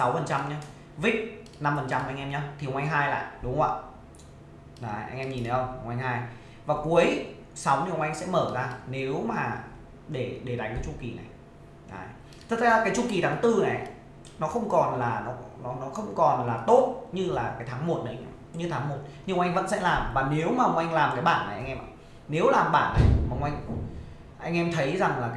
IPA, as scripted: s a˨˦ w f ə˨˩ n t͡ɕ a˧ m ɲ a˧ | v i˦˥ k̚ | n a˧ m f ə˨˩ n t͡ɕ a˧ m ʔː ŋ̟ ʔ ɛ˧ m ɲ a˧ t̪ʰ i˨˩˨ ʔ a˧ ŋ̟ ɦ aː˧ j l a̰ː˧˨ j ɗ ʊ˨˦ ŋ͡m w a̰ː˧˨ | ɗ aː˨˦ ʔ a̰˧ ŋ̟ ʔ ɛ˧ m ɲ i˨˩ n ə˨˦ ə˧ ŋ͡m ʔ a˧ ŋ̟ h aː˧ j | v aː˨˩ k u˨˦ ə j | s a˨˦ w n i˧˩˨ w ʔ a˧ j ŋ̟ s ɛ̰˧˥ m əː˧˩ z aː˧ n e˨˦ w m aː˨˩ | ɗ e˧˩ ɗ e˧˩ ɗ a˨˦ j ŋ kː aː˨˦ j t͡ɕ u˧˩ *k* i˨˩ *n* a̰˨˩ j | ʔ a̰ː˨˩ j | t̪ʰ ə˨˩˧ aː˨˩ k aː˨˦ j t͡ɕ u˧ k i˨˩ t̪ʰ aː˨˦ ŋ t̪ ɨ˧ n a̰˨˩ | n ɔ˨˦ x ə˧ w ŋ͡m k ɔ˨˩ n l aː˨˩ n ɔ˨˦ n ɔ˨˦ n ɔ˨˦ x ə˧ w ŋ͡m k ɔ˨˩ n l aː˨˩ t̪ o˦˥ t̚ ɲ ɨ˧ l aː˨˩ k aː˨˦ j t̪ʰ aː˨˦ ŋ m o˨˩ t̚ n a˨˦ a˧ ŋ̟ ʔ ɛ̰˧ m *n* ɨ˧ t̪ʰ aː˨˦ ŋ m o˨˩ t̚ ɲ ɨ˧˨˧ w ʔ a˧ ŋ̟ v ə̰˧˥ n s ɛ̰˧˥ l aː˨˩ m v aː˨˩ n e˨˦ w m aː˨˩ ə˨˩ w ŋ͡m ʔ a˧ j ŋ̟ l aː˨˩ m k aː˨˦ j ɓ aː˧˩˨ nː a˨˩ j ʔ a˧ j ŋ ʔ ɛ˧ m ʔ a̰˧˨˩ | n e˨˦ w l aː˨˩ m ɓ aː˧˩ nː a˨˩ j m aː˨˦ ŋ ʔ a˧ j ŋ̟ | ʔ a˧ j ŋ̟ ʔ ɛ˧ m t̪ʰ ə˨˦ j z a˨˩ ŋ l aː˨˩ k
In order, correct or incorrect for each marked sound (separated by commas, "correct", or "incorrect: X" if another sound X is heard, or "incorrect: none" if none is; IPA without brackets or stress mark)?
correct, correct, incorrect: ɲ